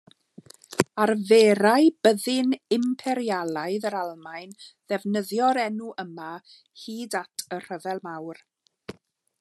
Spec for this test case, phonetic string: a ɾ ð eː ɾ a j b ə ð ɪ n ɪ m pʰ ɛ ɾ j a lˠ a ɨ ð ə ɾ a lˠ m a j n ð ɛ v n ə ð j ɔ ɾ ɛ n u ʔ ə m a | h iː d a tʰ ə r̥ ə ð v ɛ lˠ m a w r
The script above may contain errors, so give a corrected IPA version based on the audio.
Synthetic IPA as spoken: a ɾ v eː ɾ a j b ə ð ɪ n ɪ m pʰ ɛ ɾ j a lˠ a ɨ ð ə ɾ a lˠ m a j n ð ɛ v n ə ð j ɔ ɾ ɛ n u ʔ ə m a | h iː d a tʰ ə r̥ ə v ɛ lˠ m a w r